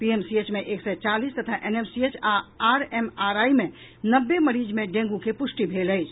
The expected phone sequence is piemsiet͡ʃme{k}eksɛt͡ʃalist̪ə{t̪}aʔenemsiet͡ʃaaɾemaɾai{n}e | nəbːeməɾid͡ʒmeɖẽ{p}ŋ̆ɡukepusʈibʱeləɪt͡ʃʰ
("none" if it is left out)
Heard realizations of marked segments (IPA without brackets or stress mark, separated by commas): ʔ, t̪ʰ, m, none